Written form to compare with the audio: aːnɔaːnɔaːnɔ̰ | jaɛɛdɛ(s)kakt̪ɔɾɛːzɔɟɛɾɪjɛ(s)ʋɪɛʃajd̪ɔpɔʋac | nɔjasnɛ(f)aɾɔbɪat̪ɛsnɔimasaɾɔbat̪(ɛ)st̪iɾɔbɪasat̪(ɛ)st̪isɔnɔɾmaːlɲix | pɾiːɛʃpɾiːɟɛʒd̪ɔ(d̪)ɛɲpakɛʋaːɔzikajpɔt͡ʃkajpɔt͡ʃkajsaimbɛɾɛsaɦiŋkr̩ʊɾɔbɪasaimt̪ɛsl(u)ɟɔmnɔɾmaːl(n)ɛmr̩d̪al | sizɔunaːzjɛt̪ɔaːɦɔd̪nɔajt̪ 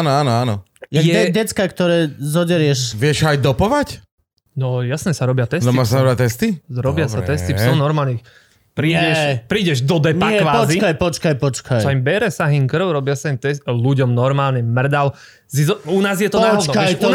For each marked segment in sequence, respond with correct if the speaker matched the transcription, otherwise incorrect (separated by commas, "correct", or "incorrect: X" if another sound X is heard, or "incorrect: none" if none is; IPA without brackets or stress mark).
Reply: incorrect: t͡s, incorrect: ʃ, incorrect: s, correct, correct, correct, correct, incorrect: ɲ